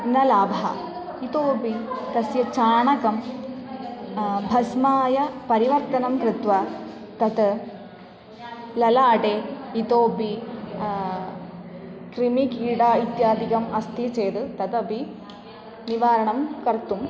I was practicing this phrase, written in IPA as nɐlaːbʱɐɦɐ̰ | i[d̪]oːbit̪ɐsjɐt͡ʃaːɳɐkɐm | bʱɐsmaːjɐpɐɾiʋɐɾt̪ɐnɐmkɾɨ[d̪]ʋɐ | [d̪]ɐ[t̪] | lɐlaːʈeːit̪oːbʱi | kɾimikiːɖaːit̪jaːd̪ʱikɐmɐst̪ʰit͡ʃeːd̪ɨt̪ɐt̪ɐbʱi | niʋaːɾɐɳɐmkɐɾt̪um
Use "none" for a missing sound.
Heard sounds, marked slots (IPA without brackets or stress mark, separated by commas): t̪, t̪, t̪, t̪